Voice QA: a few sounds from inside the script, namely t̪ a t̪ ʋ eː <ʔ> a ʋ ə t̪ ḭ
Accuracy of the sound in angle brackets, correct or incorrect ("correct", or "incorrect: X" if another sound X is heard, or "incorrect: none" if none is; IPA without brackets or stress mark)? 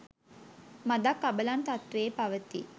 incorrect: p